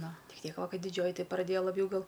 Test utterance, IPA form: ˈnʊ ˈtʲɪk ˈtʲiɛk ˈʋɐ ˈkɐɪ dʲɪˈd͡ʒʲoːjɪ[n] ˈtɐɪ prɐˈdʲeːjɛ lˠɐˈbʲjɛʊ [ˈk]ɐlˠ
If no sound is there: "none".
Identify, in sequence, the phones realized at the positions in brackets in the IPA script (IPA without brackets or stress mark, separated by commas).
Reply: none, ɡ